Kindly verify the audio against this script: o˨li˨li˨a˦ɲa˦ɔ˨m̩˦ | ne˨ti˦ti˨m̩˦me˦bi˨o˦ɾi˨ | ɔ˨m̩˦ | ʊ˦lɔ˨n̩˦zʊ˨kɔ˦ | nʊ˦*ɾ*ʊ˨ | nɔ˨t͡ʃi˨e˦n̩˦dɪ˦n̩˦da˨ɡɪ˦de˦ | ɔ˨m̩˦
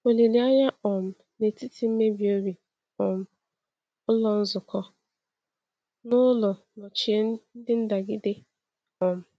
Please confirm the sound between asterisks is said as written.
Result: no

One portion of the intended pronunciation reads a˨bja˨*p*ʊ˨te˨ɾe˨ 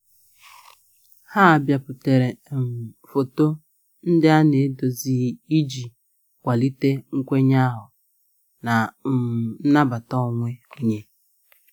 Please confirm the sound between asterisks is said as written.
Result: yes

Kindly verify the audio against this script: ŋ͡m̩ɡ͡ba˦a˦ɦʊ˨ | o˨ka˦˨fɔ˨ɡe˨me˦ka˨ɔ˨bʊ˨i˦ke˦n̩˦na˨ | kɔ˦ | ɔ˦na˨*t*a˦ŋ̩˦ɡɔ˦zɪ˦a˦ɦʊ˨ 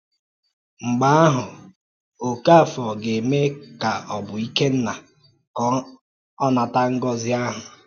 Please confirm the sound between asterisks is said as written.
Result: yes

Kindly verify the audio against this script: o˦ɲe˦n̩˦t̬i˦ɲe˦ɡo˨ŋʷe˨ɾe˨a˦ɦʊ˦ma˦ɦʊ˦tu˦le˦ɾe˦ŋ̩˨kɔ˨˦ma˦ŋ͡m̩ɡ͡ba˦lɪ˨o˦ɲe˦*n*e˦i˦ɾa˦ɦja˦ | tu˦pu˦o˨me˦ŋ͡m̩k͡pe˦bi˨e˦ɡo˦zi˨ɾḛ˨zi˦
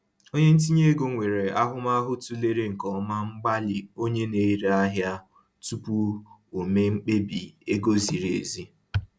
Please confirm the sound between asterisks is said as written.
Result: yes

